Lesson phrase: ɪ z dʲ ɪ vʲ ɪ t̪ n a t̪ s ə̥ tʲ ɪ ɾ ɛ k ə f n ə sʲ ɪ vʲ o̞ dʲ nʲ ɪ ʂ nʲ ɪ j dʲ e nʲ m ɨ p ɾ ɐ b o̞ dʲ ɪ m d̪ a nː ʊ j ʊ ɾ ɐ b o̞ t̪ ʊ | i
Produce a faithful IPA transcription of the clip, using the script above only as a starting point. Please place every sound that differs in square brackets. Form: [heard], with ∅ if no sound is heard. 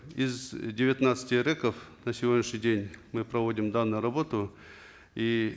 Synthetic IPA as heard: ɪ z dʲ ɪ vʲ ɪ t̪ n a t̪ s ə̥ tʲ ɪ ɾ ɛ k ə f n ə sʲ ɪ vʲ o̞ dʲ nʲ ɪ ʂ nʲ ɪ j dʲ e nʲ m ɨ p ɾ ɐ [v] o̞ dʲ ɪ m d̪ a nː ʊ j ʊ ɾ ɐ b o̞ t̪ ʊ | i